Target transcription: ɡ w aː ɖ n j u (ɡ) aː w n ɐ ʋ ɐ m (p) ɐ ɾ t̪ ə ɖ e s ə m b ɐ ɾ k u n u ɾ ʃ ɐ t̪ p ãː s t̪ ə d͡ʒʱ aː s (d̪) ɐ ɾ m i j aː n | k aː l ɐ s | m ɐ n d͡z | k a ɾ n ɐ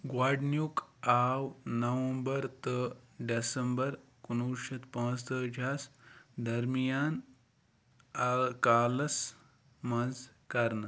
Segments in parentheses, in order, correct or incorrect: incorrect, incorrect, correct

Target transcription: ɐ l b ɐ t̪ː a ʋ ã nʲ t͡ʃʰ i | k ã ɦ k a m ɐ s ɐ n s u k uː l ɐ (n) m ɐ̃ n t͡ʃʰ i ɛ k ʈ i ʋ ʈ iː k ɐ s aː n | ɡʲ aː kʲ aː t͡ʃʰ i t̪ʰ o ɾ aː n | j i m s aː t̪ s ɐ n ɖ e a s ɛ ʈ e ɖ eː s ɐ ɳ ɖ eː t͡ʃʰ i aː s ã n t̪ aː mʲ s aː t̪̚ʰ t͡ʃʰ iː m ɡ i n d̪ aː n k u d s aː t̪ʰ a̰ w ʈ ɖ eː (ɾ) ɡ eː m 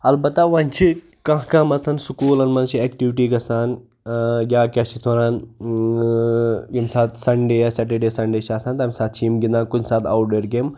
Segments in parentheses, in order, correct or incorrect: correct, correct

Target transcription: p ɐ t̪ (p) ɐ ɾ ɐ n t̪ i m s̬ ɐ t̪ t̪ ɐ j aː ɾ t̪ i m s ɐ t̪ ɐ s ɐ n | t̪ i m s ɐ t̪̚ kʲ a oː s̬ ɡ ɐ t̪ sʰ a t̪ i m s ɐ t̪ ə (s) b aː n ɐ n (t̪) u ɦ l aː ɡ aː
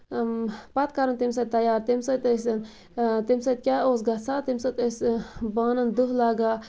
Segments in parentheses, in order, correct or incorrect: incorrect, correct, incorrect

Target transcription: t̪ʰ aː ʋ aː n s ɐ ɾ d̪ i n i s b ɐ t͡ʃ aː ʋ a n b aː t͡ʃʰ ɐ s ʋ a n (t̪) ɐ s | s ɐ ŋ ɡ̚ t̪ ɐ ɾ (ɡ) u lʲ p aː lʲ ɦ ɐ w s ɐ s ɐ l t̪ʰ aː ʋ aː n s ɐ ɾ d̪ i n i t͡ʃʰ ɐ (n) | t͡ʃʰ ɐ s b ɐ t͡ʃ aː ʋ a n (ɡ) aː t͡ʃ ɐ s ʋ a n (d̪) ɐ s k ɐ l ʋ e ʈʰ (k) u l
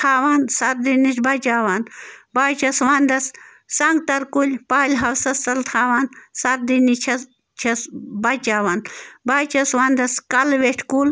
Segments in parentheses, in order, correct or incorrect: incorrect, incorrect, incorrect, incorrect, correct, correct

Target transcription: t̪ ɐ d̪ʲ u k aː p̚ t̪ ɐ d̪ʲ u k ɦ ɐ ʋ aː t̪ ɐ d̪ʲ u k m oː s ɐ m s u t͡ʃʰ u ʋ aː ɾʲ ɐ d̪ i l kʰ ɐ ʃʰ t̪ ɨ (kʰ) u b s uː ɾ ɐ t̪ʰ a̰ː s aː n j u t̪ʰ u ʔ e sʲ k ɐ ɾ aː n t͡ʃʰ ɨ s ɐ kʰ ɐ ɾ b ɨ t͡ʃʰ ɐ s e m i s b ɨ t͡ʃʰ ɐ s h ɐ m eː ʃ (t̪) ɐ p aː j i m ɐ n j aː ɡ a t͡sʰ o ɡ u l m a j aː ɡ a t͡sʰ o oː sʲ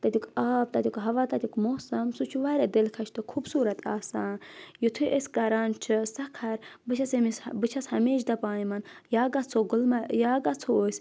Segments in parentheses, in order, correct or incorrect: correct, incorrect

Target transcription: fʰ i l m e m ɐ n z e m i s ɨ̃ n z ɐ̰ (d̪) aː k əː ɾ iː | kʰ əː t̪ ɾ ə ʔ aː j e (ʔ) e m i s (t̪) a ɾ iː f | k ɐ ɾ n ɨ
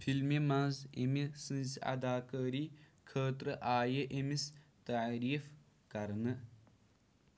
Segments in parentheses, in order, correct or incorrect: correct, correct, correct

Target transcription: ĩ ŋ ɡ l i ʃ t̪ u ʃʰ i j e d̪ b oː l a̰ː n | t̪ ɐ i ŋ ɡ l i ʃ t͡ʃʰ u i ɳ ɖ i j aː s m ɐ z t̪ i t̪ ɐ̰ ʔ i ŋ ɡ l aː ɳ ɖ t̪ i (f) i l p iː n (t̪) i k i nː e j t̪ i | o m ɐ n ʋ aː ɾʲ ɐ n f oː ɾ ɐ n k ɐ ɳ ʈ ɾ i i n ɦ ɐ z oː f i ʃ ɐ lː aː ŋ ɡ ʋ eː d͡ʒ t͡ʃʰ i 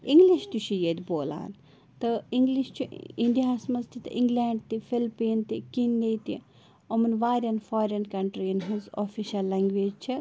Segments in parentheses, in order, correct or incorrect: correct, correct

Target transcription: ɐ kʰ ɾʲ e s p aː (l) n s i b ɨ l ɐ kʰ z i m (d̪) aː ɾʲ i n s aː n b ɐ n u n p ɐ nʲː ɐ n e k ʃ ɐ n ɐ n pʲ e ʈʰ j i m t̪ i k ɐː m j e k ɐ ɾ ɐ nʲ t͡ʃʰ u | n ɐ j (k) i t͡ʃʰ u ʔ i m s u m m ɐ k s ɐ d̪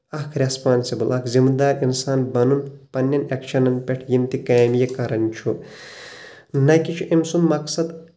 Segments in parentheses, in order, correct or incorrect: incorrect, correct, correct

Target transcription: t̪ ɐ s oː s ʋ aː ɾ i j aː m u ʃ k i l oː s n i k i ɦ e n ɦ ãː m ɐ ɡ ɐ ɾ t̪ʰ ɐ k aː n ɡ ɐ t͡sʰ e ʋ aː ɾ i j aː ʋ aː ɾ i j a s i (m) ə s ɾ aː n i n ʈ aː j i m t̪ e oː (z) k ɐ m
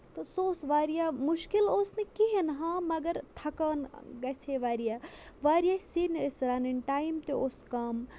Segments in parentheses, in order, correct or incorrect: incorrect, incorrect

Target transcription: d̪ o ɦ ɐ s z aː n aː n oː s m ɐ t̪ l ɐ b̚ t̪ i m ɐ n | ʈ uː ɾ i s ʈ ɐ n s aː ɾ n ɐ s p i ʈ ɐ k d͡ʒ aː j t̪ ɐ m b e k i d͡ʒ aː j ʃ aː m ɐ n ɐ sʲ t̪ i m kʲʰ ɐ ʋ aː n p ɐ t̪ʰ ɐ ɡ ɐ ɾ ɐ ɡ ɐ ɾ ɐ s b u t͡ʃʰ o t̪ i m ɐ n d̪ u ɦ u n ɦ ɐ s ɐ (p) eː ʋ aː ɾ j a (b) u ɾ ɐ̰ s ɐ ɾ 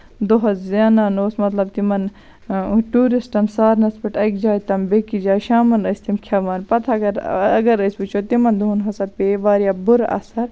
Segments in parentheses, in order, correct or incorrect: correct, correct

